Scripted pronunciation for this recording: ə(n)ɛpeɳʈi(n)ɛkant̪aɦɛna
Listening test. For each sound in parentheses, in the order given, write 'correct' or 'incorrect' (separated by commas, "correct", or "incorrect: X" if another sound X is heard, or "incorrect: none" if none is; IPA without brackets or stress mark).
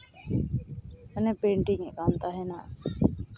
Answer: correct, incorrect: ŋ